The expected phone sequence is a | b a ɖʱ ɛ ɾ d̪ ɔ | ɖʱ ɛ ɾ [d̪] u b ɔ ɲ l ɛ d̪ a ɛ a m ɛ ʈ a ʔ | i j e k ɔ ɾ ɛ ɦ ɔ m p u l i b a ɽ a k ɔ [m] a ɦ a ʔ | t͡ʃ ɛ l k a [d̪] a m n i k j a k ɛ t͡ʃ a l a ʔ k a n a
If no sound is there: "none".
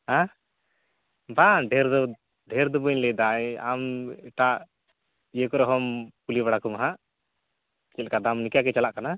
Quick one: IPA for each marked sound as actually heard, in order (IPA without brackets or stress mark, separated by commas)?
d̪, m, d̪